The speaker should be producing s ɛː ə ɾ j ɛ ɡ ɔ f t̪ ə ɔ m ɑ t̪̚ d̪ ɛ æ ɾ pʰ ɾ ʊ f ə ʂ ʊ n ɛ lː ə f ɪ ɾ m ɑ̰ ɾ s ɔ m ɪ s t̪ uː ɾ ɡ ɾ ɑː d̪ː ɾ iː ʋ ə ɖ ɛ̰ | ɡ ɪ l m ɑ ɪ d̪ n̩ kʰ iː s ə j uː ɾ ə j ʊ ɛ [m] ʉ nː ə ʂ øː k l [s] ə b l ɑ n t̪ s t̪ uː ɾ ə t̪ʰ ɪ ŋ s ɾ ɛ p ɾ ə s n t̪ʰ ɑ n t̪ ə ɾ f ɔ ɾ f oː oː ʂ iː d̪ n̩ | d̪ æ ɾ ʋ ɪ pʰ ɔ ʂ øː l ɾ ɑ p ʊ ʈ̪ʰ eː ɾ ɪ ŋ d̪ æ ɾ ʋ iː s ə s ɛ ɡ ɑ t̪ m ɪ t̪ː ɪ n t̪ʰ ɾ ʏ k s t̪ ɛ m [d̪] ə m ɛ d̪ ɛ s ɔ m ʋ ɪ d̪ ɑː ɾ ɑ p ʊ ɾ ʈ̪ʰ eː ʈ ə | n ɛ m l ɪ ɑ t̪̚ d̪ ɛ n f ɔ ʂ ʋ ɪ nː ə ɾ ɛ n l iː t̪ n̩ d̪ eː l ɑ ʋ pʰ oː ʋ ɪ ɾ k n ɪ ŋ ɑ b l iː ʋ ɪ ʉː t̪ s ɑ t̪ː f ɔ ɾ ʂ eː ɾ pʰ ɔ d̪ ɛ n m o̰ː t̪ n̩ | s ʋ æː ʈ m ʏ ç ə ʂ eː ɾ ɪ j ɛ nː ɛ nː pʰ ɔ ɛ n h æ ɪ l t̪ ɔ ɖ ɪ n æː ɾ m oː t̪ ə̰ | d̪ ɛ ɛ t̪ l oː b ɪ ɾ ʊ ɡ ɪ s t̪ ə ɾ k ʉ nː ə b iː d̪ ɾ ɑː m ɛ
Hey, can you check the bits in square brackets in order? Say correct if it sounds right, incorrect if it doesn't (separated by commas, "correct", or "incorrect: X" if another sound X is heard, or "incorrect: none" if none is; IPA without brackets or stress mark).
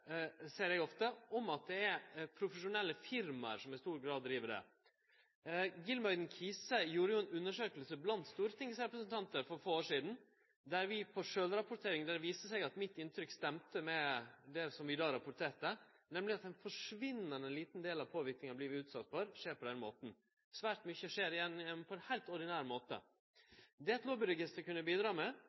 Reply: incorrect: n, correct, incorrect: t̪